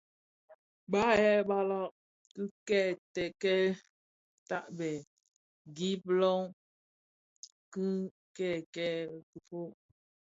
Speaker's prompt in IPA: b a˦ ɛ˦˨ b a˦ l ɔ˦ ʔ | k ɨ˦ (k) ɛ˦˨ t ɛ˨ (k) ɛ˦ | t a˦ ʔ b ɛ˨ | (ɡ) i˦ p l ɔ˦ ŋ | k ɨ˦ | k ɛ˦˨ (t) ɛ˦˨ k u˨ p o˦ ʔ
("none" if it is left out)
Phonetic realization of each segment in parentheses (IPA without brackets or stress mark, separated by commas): k, k, ɡ, k